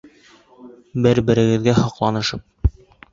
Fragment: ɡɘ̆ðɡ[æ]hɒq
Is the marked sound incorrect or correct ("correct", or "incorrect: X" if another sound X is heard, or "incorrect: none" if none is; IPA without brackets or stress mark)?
correct